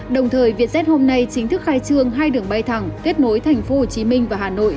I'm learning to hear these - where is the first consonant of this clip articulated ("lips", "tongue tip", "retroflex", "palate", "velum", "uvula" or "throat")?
tongue tip